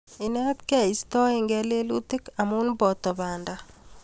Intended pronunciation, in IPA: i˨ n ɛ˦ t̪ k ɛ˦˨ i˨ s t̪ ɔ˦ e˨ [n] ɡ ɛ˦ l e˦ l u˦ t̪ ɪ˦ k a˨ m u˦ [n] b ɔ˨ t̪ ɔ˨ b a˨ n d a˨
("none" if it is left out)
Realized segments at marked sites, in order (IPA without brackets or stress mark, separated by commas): ŋ, n